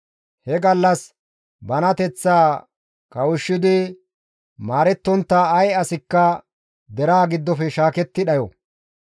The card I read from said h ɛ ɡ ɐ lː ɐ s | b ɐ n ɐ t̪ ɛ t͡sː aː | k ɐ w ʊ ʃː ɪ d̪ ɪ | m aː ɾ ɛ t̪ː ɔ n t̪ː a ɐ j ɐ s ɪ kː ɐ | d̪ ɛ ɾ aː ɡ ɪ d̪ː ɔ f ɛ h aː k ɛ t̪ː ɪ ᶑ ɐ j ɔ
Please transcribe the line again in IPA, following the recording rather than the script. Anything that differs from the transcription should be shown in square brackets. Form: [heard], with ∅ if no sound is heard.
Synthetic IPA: h ɛ ɡ ɐ lː ɐ s | b ɐ n ɐ t̪ ɛ t͡sː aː | k ɐ w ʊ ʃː ɪ d̪ ɪ | m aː ɾ ɛ t̪ː ɔ n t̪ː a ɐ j ɐ s ɪ kː ɐ | d̪ ɛ ɾ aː ɡ ɪ d̪ː ɔ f ɛ [ʃ] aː k ɛ t̪ː ɪ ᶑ ɐ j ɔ